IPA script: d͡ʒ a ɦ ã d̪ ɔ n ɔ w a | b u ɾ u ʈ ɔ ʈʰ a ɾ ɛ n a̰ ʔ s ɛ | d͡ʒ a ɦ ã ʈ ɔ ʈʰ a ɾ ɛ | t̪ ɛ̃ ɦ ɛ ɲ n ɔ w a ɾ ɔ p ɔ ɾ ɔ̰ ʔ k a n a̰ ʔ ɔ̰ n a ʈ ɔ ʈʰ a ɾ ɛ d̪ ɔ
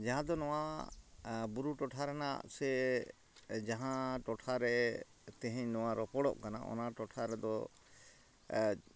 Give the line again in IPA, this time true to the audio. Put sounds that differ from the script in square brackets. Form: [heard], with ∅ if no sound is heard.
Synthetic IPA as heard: d͡ʒ a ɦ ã d̪ ɔ n ɔ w a | b u ɾ u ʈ ɔ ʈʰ a ɾ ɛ n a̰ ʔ s ɛ | d͡ʒ a ɦ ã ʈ ɔ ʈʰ a ɾ ɛ | t̪ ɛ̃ ɦ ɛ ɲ n ɔ w a ɾ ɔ p ɔ [ɽ] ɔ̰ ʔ k a n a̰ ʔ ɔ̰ n a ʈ ɔ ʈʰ a ɾ ɛ d̪ ɔ